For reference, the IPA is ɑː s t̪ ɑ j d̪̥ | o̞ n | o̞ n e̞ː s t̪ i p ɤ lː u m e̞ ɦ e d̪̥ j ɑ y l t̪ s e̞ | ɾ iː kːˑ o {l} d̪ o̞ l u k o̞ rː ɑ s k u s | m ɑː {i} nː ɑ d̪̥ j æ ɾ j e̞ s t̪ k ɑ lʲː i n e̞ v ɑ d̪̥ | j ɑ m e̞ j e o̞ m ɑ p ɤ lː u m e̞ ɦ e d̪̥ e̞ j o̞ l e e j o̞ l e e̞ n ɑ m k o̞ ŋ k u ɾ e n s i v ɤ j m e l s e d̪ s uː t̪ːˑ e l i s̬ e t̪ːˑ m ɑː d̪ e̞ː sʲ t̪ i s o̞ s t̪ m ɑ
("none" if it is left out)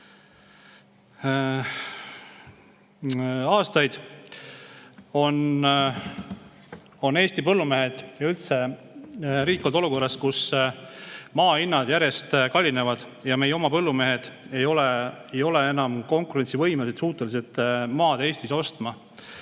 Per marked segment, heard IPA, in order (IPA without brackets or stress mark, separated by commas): l, i